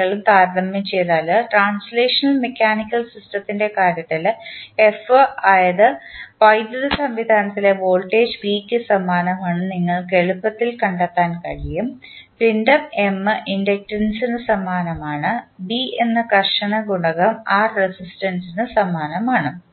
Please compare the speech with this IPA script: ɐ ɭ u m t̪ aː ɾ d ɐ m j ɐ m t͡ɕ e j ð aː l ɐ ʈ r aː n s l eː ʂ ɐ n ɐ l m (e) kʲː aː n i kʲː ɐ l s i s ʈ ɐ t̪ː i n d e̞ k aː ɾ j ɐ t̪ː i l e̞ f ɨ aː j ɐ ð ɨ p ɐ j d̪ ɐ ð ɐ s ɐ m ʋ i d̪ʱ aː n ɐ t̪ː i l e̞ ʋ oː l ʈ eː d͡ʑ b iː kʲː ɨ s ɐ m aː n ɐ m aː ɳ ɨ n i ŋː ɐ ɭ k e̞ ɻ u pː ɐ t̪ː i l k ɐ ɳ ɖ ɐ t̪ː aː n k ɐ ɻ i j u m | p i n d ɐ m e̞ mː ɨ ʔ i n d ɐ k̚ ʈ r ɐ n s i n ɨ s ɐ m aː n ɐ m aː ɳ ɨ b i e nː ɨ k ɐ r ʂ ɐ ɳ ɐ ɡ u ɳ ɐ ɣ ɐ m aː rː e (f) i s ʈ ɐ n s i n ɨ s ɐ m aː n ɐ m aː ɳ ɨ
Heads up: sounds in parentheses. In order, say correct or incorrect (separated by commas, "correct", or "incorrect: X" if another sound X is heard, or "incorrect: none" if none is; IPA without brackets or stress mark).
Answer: correct, incorrect: s